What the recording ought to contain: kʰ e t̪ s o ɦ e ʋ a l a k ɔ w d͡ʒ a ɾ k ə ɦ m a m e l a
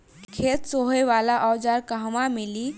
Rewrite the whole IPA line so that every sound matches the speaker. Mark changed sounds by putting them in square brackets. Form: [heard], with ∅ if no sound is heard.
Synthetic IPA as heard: kʰ e t̪ s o ɦ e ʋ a l a [ʔ] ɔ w d͡ʒ a ɾ k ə ɦ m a m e l [i]

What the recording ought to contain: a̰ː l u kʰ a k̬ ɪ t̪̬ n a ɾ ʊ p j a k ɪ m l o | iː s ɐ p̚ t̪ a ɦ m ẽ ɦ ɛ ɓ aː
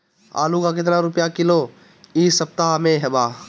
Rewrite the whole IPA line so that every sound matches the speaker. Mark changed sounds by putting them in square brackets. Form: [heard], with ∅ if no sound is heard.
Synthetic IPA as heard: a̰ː l u [k] a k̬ ɪ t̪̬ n a ɾ ʊ p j a k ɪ [∅] l o | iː s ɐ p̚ t̪ a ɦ m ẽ ɦ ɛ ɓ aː

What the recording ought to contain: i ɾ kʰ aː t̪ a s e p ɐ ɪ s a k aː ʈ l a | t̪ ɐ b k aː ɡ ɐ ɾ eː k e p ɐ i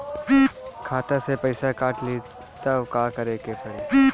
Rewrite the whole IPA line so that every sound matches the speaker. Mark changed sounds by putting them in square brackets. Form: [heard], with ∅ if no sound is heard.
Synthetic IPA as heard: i [∅] kʰ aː t̪ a s e p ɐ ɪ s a k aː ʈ l [i] | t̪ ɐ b k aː [k] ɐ ɾ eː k e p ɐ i

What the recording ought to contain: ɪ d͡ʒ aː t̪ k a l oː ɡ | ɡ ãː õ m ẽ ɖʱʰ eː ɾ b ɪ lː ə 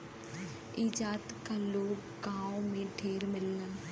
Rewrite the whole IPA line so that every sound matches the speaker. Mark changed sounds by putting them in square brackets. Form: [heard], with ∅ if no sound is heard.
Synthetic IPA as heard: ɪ d͡ʒ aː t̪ k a l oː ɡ | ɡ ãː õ m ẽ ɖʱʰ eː ɾ [m] ɪ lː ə

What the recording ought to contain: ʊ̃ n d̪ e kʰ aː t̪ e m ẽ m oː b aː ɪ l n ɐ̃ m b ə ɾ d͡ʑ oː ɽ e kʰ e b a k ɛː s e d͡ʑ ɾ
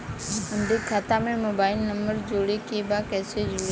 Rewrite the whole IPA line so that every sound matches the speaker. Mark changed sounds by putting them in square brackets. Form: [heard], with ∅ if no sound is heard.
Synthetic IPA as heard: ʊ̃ n d̪ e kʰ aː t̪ [a] m ẽ m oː b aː ɪ l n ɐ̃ m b ə ɾ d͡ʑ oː ɽ e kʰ e b a k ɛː s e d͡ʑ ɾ

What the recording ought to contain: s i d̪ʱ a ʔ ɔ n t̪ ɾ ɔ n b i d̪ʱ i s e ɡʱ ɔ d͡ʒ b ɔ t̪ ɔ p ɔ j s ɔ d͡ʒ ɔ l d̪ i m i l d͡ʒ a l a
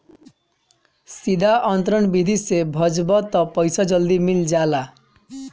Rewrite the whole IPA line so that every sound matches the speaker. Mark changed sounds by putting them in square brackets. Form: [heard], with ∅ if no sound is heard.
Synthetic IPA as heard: s i d̪ʱ a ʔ ɔ n t̪ ɾ ɔ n b i d̪ʱ i s e [bʱ] ɔ d͡ʒ b ɔ t̪ ɔ p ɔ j s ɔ d͡ʒ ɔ l d̪ i m i l d͡ʒ a l a

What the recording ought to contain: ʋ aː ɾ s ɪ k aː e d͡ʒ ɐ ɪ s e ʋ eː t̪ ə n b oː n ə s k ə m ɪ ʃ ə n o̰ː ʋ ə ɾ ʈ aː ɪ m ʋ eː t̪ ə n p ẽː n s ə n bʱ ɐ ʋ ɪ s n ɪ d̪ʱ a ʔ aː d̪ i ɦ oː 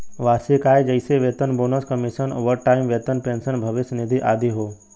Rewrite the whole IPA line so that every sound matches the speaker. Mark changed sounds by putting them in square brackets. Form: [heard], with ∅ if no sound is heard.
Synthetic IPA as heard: ʋ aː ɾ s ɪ k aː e d͡ʒ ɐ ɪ s e ʋ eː t̪ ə n b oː n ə s k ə m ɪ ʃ ə n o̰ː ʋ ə ɾ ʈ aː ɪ m ʋ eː t̪ ə n p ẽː n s ə n bʱ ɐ ʋ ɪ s n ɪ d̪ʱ [i] ʔ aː d̪ i ɦ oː

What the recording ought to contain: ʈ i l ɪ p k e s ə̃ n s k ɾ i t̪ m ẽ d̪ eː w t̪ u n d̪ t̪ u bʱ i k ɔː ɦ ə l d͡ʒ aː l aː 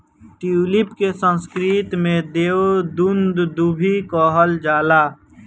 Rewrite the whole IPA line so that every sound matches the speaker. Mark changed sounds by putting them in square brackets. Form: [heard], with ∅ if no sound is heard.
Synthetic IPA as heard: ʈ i l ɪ p k e s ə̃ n s k ɾ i t̪ m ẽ d̪ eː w [d̪] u n d̪ [d̪] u bʱ i k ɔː ɦ ə l d͡ʒ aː l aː

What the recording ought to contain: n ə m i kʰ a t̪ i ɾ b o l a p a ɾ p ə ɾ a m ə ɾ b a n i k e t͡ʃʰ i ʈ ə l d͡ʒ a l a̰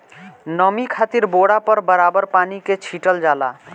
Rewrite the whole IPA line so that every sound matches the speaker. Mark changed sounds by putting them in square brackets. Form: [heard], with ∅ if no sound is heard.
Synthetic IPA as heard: n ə m i kʰ a t̪ i ɾ b o [ɽ] a p [ə] ɾ [b] ə ɾ a [b] ə ɾ [p] a n i k e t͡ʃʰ i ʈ ə l d͡ʒ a l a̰

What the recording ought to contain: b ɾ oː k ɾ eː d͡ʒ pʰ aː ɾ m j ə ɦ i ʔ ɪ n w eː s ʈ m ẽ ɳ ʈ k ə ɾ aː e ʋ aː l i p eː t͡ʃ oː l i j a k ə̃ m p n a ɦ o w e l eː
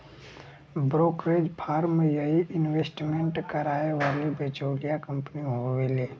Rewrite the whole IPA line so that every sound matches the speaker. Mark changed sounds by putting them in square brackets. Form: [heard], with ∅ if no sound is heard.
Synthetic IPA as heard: b ɾ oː k ɾ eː d͡ʒ pʰ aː ɾ m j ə ɦ i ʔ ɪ n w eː s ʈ m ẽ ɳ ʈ k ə ɾ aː e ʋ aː l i [b] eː t͡ʃ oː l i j a k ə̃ m p n [i] ɦ o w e l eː

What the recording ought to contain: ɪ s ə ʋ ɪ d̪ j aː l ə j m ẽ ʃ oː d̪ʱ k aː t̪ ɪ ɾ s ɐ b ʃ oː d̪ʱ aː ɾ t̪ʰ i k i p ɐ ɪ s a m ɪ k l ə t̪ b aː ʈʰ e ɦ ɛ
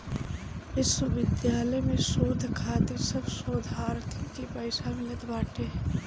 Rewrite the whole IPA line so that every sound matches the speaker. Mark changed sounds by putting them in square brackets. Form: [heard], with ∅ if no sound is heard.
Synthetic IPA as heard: ɪ s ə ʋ ɪ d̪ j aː l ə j m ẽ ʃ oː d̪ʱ [kʰ] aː t̪ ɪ ɾ s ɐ b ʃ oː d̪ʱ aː ɾ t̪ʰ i k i p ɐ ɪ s a m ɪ [∅] l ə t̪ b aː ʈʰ e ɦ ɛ

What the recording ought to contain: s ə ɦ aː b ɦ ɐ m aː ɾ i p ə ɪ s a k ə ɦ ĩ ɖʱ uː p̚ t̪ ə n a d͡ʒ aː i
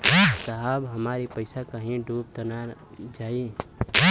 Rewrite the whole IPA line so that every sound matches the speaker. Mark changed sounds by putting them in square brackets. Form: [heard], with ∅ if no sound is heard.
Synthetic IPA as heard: s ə ɦ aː b ɦ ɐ m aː ɾ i p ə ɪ s a k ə ɦ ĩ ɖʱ uː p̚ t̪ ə n a d͡ʒ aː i

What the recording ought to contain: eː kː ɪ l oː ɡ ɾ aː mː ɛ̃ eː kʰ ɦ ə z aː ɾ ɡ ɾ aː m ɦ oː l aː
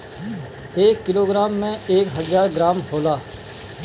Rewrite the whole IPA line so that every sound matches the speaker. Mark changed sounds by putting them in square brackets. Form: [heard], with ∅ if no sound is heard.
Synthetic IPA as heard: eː kː ɪ l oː ɡ ɾ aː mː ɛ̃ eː [k] ɦ ə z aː ɾ ɡ ɾ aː m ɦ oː l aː

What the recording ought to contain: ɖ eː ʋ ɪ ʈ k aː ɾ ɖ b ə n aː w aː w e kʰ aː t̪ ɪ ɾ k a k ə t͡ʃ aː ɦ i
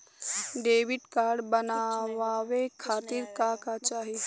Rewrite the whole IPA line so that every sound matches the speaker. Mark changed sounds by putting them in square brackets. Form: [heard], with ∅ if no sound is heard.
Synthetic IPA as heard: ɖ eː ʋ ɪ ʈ k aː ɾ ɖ b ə n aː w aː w e kʰ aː t̪ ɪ ɾ k a k [a] t͡ʃ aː ɦ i

